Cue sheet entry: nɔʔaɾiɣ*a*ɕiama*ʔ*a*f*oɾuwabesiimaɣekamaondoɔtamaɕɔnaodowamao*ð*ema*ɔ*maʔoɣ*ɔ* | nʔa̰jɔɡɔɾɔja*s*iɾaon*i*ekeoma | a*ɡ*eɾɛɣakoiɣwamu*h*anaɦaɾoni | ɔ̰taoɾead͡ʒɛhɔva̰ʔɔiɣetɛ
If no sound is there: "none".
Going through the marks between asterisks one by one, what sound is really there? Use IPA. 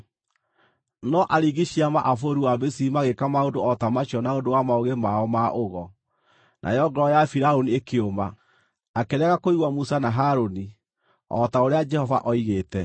i, ʔ, f, ɣ, ɔ, ɔ, f, i, k, s

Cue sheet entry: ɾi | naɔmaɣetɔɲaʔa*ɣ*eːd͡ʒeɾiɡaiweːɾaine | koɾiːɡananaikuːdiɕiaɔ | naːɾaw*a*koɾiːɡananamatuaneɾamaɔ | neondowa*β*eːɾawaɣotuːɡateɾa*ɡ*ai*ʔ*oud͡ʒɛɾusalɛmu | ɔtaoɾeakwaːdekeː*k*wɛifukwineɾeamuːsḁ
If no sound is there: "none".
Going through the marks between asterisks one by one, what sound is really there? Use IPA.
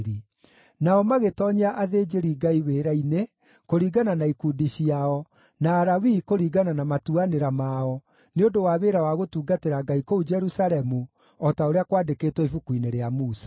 ð, i, β, ɡ, k, t

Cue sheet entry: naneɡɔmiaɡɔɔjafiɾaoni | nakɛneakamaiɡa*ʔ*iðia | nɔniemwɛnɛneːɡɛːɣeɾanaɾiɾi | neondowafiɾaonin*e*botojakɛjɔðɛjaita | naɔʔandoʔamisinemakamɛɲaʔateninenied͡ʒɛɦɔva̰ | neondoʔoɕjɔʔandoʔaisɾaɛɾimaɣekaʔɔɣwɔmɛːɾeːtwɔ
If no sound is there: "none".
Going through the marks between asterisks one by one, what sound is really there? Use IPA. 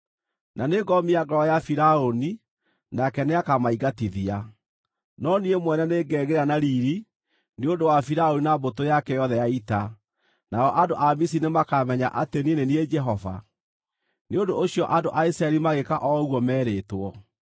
t, a

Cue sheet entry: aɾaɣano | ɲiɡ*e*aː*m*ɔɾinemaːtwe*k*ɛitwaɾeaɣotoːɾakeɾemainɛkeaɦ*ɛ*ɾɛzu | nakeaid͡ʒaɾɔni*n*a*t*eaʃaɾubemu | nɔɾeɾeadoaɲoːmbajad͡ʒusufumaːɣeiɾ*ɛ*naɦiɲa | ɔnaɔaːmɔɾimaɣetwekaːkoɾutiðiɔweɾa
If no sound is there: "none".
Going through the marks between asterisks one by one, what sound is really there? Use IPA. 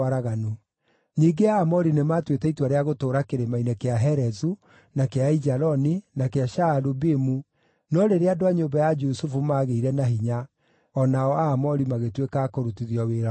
e, m, t, ɛ, n, k, ɛ

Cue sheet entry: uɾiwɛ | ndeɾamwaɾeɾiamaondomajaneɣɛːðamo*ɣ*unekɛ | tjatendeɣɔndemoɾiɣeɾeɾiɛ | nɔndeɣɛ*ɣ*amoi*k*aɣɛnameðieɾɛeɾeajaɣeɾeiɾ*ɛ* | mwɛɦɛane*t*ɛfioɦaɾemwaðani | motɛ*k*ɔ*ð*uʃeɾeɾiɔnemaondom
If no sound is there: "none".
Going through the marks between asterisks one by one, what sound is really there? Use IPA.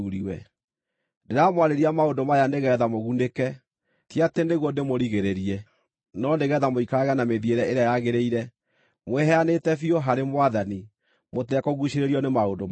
ɣ, ð, k, ɛ, t, k, ɣ

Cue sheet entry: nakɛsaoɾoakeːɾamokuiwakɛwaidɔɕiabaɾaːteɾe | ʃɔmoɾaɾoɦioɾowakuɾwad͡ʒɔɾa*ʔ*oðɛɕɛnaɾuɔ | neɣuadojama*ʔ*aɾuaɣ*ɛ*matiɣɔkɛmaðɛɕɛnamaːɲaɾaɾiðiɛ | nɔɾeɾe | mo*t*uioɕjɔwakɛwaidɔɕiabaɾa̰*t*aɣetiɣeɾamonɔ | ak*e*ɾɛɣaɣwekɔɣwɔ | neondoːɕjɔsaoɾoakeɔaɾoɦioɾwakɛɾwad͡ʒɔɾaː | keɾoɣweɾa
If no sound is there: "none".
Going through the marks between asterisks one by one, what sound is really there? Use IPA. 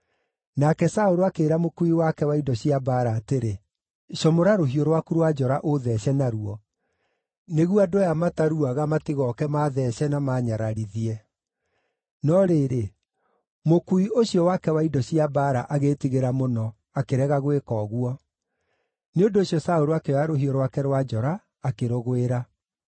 ʔ, t, a, k, ʔ, e

